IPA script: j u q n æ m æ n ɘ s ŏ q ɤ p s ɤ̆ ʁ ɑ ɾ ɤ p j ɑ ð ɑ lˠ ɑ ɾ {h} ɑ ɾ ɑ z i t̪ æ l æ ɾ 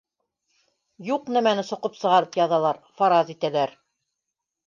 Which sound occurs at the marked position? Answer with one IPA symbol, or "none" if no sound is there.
f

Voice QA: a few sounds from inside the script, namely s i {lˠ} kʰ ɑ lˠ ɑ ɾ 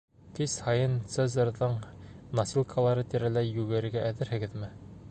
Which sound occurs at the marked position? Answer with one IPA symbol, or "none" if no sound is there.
lˠ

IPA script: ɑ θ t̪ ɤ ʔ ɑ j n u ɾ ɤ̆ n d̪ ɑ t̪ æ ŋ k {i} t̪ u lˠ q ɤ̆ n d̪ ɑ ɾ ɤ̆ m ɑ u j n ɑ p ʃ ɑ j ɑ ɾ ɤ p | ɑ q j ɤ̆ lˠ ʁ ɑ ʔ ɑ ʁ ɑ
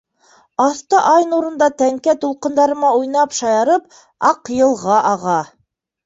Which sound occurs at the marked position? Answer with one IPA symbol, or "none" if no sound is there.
æ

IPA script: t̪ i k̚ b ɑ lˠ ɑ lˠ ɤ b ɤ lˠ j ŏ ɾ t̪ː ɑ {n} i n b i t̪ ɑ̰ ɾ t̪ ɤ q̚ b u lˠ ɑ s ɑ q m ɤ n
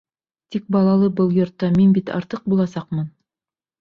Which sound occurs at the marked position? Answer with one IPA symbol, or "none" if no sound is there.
m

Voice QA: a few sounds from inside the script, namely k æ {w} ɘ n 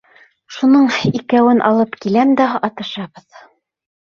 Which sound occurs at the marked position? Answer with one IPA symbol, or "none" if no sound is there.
w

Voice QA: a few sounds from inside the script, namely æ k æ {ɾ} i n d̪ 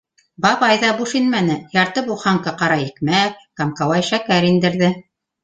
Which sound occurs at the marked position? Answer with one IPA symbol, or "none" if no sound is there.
ɾ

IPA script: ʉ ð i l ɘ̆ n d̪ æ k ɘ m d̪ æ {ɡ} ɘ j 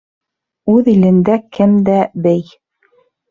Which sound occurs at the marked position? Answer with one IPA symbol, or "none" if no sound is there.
b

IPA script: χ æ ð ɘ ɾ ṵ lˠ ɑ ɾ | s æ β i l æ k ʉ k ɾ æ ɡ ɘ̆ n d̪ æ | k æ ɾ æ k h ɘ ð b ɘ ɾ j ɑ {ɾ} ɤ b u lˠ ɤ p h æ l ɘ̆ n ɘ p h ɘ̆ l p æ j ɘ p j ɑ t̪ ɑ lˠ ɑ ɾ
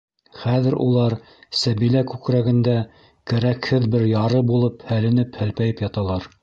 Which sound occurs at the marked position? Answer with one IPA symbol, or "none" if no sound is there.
ɾ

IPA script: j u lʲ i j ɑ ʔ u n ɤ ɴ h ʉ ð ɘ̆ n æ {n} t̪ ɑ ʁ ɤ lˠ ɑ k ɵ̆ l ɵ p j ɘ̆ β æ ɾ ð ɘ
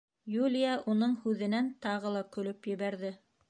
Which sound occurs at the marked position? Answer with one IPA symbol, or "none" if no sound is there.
n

